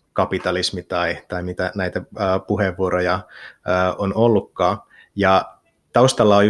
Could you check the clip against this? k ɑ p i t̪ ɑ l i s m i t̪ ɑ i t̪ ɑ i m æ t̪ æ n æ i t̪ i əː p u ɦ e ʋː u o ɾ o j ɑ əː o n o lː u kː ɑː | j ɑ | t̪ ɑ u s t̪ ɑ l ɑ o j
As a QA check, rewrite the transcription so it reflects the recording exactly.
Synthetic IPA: k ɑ p i t̪ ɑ l i s m i t̪ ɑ i t̪ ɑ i m i t̪ æ n æ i t̪ æ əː p u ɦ e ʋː u o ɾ o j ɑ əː o n o lː u kː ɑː | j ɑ | t̪ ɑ u s t̪ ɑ lː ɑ o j